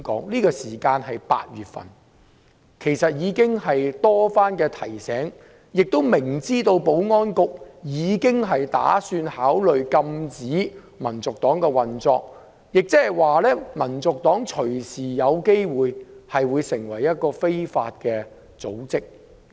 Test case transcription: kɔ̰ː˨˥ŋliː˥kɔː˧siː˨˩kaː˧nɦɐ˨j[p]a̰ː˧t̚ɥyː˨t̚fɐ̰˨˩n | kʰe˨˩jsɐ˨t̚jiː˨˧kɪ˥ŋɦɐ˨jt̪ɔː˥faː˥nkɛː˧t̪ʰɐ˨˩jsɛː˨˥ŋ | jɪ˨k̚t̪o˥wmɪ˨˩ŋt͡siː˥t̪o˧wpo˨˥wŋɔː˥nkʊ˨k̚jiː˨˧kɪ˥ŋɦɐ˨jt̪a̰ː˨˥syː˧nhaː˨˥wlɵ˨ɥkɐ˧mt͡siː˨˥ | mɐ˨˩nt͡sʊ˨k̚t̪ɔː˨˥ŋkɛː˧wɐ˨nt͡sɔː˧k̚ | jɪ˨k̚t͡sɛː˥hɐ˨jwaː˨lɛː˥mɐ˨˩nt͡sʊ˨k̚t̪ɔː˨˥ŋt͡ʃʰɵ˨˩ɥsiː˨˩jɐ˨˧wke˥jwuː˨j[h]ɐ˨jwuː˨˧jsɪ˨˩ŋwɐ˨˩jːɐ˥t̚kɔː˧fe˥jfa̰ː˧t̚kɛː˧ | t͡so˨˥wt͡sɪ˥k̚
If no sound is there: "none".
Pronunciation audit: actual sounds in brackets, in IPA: p, h

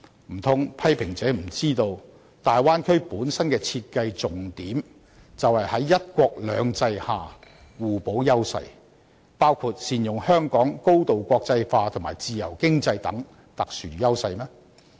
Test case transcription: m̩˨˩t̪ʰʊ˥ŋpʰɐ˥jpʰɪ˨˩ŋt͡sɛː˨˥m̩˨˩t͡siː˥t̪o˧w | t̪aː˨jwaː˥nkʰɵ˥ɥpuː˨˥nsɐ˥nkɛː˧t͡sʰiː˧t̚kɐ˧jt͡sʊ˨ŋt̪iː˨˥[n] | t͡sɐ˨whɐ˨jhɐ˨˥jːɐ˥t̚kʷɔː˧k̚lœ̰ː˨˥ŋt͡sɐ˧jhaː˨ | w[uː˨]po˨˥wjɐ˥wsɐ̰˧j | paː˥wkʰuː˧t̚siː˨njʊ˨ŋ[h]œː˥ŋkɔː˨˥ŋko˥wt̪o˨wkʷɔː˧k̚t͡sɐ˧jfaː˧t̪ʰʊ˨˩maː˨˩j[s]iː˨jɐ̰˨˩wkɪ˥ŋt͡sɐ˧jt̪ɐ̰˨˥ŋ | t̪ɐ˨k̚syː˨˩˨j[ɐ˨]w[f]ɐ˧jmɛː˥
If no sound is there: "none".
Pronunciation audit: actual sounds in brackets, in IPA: m, uː˨, h, t͡s, ɐ˥, s

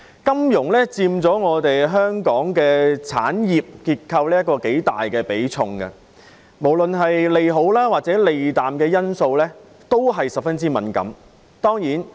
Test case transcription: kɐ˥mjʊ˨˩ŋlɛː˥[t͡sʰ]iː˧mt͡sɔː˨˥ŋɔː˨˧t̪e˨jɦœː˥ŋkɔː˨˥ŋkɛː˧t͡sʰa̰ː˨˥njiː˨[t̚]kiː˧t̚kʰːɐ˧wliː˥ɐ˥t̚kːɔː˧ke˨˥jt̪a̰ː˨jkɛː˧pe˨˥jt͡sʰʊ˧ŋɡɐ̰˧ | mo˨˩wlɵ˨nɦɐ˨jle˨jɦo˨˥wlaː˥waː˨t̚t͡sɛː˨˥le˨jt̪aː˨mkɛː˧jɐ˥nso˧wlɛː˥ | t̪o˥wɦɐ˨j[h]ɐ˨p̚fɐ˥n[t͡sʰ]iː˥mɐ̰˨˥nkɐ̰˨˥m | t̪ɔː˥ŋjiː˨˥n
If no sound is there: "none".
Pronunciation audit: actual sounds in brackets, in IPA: t͡s, p̚, s, t͡s

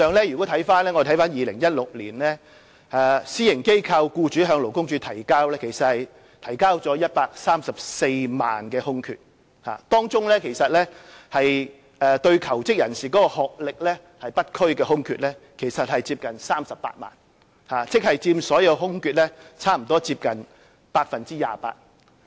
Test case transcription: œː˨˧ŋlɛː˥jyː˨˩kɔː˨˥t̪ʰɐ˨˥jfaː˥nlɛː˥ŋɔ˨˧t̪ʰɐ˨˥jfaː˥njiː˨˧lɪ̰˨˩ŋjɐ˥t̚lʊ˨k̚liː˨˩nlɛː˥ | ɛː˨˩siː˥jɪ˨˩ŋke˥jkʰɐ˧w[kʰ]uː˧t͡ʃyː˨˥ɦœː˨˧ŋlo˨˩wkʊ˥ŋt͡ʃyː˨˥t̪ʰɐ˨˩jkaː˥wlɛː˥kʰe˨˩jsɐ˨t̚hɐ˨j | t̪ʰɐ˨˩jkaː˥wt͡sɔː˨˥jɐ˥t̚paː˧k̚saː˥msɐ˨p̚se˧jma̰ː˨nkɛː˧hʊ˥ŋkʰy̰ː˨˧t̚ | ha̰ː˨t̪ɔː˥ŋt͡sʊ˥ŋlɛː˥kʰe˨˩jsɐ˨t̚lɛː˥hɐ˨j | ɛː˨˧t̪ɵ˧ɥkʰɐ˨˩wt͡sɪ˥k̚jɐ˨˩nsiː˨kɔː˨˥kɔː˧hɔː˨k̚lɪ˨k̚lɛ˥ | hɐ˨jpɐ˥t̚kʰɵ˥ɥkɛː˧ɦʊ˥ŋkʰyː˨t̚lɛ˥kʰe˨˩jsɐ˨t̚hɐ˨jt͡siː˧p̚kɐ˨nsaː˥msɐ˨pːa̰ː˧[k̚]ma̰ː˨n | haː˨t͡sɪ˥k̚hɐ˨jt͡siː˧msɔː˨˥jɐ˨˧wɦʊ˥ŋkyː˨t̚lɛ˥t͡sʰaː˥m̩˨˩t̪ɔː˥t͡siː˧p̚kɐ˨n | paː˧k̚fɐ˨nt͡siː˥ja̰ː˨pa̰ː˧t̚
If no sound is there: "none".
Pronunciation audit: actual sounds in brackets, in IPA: k, t̚

